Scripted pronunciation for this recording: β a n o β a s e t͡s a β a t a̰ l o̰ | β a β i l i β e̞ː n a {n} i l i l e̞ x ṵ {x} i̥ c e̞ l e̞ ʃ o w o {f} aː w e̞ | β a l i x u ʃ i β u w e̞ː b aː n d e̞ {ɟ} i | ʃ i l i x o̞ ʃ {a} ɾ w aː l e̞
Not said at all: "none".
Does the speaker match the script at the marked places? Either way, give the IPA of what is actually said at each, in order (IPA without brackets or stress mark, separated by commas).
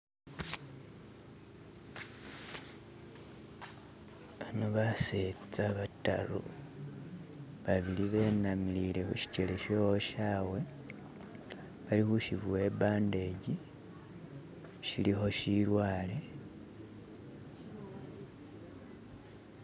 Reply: m, ʃ, ʃ, ɟ, i